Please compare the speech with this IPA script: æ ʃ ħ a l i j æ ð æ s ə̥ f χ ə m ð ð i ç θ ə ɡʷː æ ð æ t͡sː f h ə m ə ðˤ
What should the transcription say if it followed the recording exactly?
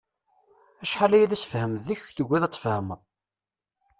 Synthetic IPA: æ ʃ ħ a l æ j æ ð æ s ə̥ f h ə m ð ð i ç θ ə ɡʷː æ ð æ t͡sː f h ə m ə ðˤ